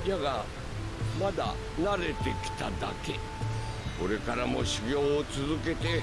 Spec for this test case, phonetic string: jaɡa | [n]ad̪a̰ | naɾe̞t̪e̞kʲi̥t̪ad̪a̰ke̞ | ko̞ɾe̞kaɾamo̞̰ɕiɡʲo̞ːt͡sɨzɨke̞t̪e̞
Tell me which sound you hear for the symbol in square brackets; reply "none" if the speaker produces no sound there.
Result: m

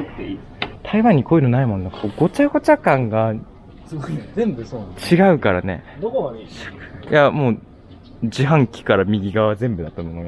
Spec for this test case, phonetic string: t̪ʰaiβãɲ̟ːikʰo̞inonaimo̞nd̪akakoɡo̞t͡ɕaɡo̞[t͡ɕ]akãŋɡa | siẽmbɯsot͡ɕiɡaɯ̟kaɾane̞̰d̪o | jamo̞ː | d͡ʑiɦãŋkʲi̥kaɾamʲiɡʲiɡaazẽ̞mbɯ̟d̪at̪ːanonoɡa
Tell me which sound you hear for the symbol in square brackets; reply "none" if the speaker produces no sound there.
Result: t͡ɕ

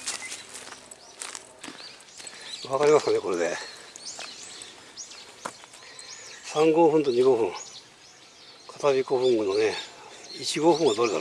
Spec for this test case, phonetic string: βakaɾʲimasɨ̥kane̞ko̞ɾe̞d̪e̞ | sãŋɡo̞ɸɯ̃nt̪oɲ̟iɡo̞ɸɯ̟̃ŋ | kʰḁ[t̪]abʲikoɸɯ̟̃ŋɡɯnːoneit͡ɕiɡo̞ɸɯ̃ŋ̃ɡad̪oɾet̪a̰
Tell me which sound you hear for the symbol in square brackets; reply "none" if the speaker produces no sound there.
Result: t̪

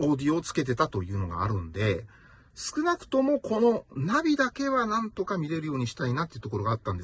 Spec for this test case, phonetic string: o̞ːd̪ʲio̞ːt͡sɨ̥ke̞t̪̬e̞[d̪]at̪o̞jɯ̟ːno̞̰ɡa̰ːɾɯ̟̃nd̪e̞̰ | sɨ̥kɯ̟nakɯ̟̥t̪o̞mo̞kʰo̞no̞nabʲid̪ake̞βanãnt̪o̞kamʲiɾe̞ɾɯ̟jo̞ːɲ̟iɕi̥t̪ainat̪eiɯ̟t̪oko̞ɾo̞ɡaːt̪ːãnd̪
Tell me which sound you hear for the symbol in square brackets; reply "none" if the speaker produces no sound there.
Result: t̪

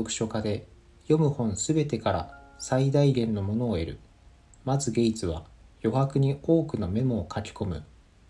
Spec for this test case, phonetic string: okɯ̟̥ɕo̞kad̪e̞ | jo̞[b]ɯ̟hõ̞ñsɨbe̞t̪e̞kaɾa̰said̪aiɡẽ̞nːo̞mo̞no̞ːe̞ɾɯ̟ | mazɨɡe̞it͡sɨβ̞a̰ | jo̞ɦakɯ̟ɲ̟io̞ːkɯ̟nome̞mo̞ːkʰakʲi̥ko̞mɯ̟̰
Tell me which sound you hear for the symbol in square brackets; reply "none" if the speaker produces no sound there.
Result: m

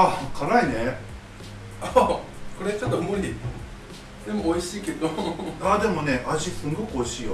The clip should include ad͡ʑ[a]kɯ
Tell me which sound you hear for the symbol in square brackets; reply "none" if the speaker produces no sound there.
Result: i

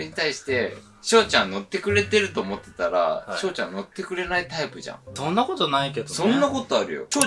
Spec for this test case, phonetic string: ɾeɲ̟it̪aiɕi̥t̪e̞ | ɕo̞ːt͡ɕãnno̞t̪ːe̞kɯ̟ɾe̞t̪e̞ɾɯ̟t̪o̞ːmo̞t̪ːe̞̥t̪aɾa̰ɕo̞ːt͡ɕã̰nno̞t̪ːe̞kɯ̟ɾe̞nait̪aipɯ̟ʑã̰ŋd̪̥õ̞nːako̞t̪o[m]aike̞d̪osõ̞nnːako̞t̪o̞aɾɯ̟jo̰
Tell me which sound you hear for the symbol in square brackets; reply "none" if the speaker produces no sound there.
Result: n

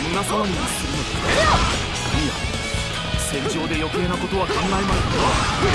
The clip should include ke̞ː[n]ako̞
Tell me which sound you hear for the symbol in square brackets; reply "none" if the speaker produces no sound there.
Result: n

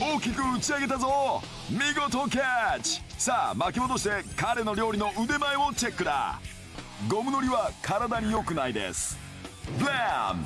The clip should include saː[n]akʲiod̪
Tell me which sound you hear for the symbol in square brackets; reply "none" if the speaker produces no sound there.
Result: m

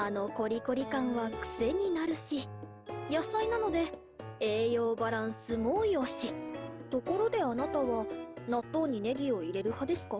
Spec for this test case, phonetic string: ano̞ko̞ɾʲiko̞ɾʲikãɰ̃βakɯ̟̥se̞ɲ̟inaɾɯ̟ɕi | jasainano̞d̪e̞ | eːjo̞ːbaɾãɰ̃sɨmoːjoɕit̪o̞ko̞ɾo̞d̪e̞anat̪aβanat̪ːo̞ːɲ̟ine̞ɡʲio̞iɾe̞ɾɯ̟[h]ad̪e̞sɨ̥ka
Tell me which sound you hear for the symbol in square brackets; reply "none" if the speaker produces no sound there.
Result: h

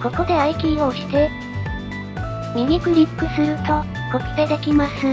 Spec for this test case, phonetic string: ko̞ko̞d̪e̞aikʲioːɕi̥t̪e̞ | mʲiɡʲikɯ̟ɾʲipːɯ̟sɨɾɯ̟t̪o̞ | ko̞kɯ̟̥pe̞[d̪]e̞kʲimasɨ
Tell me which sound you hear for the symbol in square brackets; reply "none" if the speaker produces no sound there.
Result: d̪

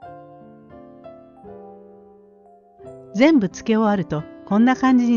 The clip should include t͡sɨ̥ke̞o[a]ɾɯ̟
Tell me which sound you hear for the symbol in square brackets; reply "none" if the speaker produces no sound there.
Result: a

